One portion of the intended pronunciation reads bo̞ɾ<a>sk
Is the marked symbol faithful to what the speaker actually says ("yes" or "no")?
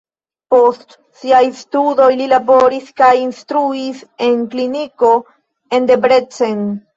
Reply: no